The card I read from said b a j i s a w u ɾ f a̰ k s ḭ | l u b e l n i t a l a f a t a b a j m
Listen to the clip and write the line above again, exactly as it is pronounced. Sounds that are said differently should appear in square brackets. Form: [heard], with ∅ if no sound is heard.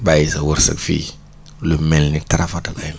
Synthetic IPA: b a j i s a w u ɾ [s] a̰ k [f] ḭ | l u [m] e l n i t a [ɾ] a f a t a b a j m